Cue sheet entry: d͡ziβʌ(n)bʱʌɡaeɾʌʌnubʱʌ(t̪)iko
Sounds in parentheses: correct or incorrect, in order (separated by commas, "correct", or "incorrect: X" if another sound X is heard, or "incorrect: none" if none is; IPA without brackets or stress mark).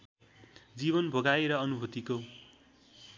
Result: correct, correct